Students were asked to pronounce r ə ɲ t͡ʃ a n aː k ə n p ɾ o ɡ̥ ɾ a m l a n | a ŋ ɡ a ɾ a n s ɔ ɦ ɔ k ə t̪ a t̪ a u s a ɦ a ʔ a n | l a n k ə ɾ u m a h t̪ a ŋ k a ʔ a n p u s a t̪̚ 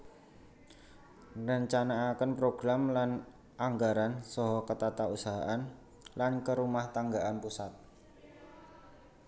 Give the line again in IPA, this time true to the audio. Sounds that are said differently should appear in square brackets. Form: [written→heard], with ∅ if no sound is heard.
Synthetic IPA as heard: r ə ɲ t͡ʃ a n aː k ə n p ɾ o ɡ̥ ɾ a m l a n | a ŋ ɡ a ɾ a n s ɔ ɦ ɔ k ə t̪ a t̪ a u s a ɦ a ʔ a n | l a n k ə ɾ u m a h t̪ a ŋ [k→ɡ] a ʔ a n p u s a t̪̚